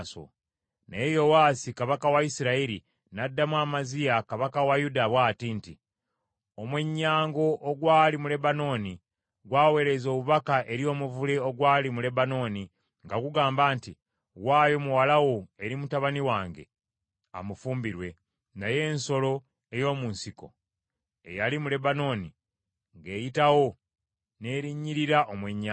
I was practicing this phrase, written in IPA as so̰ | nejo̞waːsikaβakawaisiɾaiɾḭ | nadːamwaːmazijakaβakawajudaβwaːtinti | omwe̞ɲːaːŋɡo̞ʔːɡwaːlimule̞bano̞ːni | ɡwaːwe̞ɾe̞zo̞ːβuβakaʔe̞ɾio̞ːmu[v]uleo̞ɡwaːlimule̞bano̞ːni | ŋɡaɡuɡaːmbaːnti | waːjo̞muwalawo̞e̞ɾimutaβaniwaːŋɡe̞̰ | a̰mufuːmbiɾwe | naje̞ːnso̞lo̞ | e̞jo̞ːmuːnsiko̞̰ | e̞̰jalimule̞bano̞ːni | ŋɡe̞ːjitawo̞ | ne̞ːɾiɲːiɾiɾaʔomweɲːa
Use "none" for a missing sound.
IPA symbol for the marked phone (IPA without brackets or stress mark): v